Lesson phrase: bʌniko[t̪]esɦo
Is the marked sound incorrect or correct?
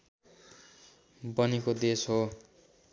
incorrect